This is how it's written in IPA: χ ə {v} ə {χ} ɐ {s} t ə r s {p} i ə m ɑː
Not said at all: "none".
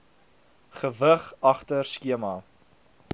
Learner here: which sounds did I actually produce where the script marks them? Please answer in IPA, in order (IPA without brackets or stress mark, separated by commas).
v, χ, χ, k